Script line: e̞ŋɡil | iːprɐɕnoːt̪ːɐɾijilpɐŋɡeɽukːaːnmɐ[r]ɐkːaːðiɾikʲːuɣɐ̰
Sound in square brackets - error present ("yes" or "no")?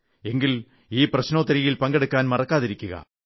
no